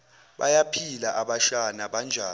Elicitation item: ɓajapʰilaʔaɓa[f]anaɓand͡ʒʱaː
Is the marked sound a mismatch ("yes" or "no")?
yes